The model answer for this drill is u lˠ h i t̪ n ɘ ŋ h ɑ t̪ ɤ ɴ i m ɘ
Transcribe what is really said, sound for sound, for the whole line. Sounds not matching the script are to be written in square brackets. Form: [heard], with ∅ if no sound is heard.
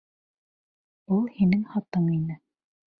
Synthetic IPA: u lˠ h i [∅] n ɘ ŋ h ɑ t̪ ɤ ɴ i [n] ɘ